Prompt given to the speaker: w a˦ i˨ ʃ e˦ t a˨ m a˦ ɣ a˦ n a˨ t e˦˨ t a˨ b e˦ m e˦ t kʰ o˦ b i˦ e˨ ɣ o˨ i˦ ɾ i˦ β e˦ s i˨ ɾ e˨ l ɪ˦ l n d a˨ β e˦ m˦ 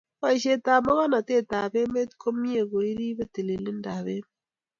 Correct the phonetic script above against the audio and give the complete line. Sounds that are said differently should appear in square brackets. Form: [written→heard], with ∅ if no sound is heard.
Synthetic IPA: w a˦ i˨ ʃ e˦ t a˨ m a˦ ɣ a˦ n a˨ t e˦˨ t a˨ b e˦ m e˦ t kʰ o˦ [b→m] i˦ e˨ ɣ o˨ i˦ ɾ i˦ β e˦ [s→t] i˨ [ɾ→l] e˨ l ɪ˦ [l→∅] n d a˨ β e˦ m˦

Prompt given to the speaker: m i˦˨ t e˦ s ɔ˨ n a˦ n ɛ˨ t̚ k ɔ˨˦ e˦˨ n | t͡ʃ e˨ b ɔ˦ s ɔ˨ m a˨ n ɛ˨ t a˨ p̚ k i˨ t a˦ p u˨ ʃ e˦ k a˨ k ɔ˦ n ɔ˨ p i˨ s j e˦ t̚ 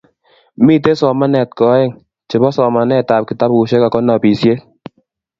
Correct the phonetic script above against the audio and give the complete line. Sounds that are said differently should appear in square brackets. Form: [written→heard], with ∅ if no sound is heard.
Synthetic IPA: m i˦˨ t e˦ s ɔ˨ [n→m] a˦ n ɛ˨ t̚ k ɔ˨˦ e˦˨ [n→ŋ] | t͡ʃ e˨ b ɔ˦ s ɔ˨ m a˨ n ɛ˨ t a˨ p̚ k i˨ t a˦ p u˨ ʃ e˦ k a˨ k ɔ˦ n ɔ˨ p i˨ s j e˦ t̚

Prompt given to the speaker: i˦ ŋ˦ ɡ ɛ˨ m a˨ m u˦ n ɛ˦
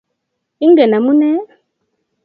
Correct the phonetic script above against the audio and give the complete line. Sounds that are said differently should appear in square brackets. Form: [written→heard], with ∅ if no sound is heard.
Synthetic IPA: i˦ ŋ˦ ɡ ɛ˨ [m→n] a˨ m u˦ n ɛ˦

